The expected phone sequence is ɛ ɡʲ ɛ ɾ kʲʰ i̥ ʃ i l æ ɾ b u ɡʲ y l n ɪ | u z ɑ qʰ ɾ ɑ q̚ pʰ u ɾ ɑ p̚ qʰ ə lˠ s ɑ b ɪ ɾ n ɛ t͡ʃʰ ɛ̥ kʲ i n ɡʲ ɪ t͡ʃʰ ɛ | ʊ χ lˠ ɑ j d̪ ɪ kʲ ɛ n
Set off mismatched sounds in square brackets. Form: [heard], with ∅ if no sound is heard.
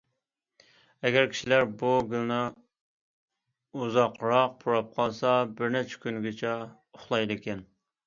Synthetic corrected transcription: ɛ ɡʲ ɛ ɾ kʲʰ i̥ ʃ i l æ ɾ b u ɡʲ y l n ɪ | u z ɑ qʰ ɾ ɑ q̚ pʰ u ɾ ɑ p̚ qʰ [ɑ] lˠ s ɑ b ɪ ɾ n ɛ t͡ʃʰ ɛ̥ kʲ [y] n ɡʲ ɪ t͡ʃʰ ɛ | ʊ χ lˠ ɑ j d̪ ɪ kʲ ɛ n